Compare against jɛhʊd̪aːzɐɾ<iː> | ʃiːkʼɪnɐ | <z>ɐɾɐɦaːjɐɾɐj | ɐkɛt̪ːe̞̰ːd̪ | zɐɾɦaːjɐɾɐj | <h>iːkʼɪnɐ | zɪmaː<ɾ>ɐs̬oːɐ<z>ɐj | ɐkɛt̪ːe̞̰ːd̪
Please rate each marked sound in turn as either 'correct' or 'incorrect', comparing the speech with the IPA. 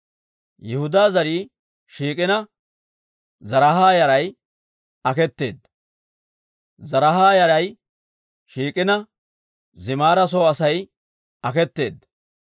correct, correct, incorrect, correct, incorrect

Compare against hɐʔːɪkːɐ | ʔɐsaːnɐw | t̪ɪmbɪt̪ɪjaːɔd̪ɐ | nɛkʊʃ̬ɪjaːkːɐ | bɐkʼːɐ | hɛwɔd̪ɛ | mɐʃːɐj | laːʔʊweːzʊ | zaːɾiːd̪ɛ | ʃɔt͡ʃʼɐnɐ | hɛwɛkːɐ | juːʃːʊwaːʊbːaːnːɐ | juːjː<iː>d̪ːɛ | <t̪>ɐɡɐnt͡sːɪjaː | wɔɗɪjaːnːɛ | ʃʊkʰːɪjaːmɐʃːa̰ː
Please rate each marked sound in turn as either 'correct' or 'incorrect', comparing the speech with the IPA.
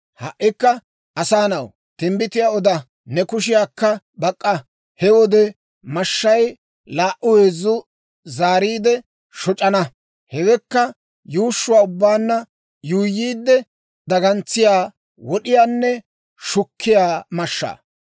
correct, incorrect

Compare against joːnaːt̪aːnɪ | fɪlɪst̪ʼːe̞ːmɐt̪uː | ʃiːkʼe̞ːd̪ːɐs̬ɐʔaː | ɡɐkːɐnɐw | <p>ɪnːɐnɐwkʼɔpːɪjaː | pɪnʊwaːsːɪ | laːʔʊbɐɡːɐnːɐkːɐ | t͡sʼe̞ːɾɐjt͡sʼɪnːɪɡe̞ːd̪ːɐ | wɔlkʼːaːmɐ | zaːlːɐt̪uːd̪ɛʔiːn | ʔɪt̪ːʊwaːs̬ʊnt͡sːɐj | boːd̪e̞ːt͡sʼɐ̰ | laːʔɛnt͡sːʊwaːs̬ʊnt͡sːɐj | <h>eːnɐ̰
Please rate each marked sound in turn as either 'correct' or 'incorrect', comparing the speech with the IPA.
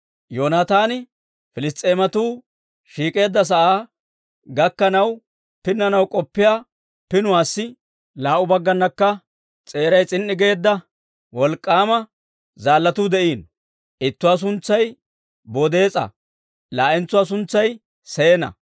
correct, incorrect

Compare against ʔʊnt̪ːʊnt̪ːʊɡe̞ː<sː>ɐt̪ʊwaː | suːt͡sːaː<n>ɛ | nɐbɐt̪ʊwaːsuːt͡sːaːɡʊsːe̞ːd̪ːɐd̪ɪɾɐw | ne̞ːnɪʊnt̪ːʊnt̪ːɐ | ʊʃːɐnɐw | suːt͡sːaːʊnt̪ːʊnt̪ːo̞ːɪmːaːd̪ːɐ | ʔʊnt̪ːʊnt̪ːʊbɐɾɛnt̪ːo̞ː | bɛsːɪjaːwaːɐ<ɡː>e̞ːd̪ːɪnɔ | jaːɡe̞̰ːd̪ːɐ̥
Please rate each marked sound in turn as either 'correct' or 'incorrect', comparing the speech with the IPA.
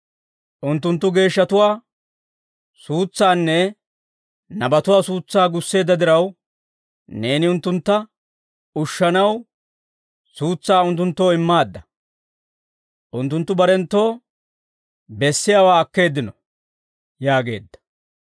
incorrect, incorrect, incorrect

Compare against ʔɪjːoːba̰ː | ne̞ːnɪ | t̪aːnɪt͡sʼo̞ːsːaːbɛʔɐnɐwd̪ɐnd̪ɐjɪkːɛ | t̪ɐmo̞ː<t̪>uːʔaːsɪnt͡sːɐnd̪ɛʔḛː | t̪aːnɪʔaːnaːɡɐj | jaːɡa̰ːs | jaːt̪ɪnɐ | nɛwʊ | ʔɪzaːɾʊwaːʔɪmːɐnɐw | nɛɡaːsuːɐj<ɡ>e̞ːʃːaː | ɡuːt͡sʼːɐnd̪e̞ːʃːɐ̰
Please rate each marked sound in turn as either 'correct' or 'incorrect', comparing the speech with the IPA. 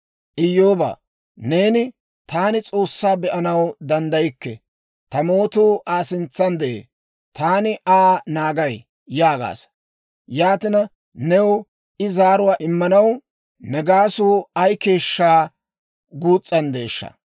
correct, incorrect

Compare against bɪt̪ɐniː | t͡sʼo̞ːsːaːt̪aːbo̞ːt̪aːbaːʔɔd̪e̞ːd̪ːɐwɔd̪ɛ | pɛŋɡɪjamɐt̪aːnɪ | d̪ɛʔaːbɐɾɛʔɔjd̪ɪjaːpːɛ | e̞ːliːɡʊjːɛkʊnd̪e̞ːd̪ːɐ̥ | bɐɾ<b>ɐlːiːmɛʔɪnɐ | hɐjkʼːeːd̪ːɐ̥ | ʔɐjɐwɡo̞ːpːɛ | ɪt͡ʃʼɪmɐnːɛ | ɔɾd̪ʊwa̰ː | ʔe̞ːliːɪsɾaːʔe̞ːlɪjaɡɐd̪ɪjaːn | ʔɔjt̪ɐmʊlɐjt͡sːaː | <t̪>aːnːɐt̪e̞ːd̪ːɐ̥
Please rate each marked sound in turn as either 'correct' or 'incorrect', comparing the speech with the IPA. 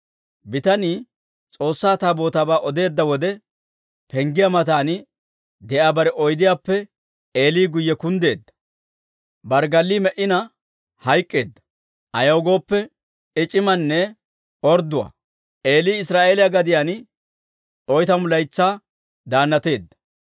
incorrect, incorrect

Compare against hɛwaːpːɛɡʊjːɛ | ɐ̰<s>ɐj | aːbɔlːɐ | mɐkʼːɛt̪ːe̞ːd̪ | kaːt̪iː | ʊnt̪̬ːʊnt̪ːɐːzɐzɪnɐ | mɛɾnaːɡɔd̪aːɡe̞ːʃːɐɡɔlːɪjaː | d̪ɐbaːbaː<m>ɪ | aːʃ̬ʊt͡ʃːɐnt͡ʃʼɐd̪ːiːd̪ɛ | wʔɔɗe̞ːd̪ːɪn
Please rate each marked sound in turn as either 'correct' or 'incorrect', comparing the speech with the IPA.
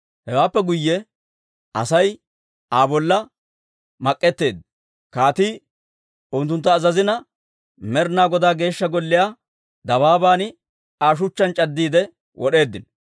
correct, incorrect

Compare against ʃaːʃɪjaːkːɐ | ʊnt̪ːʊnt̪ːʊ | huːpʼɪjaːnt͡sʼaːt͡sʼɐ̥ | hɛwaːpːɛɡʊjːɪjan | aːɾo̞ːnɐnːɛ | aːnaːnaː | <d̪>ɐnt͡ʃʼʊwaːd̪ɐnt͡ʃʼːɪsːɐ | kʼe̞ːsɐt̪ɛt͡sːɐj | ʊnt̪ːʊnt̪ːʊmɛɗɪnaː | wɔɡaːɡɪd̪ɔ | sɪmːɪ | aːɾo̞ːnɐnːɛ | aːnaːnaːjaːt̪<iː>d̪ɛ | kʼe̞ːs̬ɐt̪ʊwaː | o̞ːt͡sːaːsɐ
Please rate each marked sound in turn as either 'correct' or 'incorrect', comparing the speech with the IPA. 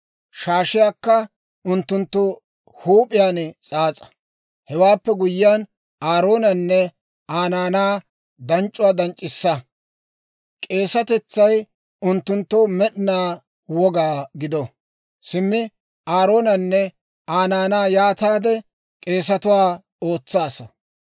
correct, incorrect

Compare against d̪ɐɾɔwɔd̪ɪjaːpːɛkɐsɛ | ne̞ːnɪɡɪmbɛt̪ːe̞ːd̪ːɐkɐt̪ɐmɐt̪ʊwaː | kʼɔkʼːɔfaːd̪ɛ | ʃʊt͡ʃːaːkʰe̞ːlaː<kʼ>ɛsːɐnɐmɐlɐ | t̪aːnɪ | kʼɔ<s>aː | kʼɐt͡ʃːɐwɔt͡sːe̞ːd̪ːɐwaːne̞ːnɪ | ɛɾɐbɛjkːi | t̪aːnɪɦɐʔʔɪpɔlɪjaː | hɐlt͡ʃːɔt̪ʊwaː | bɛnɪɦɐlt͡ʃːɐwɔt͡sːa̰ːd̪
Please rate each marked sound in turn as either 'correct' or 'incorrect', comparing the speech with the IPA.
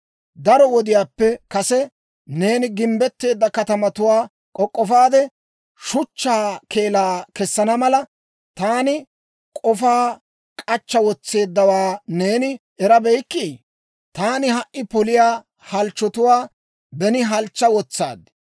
incorrect, incorrect

